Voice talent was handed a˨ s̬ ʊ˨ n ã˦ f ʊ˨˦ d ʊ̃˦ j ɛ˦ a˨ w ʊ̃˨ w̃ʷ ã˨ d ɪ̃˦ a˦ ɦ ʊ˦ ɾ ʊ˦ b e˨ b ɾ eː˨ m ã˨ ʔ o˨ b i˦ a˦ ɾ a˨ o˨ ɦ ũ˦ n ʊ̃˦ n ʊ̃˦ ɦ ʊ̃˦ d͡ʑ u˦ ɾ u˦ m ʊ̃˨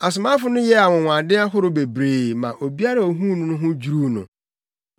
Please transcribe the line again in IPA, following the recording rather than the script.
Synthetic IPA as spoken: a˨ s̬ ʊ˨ m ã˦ f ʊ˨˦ n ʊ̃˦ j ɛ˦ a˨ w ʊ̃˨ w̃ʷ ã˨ d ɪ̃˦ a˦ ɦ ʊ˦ ɾ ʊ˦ b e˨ b ɾ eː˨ m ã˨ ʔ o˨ b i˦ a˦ ɾ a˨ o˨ ɦ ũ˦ n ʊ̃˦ n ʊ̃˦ ɦ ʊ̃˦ d͡ʑ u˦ ɾ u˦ n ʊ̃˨

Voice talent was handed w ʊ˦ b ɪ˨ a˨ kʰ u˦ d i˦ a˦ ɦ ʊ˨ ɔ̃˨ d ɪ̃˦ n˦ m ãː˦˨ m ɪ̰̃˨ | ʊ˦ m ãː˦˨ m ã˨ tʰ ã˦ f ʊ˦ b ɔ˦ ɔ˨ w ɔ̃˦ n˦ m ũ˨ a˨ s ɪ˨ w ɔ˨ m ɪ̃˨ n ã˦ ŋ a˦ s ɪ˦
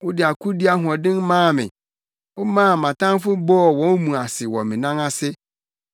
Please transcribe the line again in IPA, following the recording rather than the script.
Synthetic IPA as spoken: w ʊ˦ d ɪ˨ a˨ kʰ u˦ d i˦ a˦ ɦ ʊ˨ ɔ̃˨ d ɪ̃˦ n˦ m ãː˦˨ m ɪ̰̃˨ | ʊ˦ m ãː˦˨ m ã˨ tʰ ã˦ f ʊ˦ b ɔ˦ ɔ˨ w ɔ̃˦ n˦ m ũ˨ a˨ s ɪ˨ w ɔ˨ m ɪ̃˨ n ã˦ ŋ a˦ s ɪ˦

